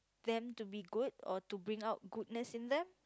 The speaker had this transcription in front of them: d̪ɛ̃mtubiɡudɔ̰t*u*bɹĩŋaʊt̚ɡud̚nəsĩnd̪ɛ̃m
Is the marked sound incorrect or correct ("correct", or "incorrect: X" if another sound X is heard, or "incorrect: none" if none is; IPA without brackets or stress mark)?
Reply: correct